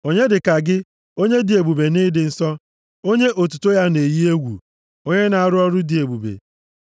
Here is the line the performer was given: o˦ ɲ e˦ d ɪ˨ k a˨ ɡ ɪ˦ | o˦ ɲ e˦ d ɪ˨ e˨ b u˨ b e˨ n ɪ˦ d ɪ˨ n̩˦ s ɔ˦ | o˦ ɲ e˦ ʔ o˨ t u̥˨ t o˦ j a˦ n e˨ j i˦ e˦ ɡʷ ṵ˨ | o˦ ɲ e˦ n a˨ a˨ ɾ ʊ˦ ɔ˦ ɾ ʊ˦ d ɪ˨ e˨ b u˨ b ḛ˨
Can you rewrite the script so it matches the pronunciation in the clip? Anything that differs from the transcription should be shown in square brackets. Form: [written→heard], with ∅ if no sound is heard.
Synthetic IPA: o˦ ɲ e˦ d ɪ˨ k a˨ ɡ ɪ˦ | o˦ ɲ e˦ d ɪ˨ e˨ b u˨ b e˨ n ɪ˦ d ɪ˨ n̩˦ s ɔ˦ | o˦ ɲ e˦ ʔ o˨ t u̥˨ t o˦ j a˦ n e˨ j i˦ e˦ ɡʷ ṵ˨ | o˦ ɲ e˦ n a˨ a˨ ɾ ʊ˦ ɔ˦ ɾ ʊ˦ d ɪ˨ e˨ b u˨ b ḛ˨